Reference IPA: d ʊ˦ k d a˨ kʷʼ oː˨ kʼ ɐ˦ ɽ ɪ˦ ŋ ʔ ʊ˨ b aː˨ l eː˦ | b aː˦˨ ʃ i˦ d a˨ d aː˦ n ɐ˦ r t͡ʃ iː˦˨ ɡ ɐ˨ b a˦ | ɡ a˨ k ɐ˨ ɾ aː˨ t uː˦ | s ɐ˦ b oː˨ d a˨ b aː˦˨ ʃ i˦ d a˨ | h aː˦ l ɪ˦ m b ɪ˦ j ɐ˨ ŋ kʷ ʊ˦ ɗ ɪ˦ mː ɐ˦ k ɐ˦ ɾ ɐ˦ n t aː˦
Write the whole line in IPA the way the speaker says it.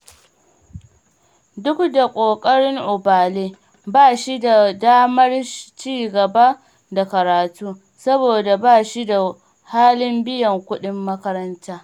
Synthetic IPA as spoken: d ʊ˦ k d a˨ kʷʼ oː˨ kʼ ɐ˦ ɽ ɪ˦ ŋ ʔ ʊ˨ b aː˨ l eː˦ | b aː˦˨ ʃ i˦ d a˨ d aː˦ m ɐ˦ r t͡ʃ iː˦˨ ɡ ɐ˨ b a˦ | d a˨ k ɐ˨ ɾ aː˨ t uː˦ | s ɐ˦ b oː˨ d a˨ b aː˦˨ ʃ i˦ d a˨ | h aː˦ l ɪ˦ m b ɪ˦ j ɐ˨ ŋ kʷ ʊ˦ ɗ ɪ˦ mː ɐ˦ k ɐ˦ ɾ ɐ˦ n t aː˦